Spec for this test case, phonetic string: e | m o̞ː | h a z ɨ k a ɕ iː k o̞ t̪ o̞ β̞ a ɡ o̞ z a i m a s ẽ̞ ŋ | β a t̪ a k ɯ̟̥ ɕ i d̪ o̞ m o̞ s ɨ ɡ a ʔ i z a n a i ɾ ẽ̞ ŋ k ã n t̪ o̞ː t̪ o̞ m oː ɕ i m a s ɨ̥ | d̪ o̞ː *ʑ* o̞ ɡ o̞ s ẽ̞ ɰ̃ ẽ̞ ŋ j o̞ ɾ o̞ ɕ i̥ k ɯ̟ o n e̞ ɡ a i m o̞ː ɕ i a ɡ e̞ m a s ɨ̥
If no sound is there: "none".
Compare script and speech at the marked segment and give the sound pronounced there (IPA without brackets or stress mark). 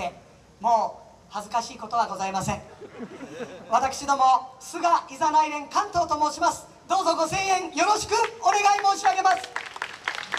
z